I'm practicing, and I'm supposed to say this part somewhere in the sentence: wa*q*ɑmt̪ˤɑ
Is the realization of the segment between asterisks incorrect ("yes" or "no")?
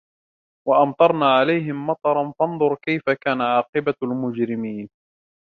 yes